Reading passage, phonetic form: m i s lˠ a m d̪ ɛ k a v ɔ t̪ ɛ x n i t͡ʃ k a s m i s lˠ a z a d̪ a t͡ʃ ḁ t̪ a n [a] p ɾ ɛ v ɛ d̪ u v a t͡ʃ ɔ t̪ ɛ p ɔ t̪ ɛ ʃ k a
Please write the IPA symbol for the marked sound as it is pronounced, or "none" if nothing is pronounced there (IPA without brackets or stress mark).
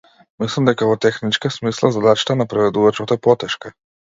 a